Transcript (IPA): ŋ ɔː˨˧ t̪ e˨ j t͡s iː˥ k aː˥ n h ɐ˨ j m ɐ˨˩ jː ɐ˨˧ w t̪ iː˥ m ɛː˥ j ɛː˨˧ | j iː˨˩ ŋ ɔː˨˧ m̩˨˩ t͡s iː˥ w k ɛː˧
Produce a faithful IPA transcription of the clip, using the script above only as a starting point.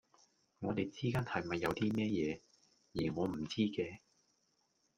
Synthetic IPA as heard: ŋ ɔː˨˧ t̪ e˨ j t͡s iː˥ k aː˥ n h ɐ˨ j m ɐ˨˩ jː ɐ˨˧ w t̪ iː˥ m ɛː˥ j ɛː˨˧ | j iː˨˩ ŋ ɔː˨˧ m̩˨˩ t͡s iː˥ k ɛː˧